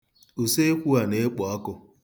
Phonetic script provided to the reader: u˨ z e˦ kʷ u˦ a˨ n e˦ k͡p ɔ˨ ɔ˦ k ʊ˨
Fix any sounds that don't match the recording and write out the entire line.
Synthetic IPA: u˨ s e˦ kʷ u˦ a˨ n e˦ k͡p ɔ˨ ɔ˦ k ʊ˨

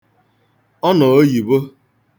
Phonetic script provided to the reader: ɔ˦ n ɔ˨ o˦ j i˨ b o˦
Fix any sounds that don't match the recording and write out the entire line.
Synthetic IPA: ɔ˦ n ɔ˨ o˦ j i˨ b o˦

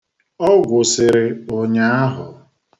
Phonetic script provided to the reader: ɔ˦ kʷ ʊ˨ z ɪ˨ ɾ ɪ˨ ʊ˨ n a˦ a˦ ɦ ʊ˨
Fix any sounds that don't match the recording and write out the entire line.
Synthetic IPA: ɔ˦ ɡʷ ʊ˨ s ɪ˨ ɾ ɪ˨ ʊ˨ ɲ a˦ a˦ ɦ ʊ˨

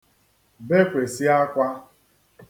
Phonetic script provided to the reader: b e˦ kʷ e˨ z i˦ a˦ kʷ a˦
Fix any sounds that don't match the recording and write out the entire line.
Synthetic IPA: b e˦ kʷ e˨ s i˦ a˦ kʷ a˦

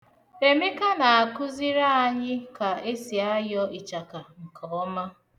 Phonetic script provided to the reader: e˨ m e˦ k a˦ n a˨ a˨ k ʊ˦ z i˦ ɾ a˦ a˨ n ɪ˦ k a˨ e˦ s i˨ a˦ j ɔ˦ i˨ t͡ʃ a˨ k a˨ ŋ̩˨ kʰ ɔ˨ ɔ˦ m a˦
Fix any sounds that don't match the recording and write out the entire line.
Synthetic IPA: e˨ m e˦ k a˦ n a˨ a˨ k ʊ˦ z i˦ ɾ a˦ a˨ ɲ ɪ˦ k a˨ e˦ s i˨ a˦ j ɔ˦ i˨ t͡ʃ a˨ k a˨ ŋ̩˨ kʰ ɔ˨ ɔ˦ m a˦

